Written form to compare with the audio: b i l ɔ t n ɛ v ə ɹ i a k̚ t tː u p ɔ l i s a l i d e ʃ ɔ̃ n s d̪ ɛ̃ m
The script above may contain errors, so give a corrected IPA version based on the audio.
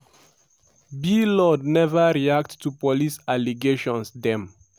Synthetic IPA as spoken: b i l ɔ d n ɛ v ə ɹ i a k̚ t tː u p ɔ l i s a l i ɡ e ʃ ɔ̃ n s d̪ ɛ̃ m